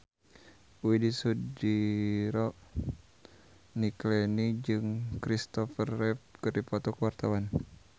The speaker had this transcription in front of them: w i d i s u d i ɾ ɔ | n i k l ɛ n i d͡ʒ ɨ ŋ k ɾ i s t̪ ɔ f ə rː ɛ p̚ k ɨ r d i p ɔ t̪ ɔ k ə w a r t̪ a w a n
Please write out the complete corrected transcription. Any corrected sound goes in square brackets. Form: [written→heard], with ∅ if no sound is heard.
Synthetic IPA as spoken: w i d i s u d i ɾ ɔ | n i k l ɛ n i d͡ʒ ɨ ŋ k ɾ i s t̪ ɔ f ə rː ɛ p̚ k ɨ r d i p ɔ t̪ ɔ k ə w a r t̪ a w a n